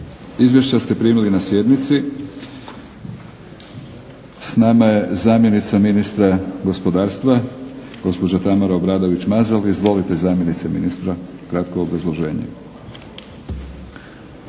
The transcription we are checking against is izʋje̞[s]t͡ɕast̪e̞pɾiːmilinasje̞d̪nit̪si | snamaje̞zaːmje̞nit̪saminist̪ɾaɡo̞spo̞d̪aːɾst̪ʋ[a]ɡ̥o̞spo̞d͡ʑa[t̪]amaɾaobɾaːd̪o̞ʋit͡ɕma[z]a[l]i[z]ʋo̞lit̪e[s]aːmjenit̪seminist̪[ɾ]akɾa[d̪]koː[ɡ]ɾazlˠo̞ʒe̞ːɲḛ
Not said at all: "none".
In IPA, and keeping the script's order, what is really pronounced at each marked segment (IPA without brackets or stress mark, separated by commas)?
ʃ, a, t̪, z, l, z, z, ɾ, t̪, b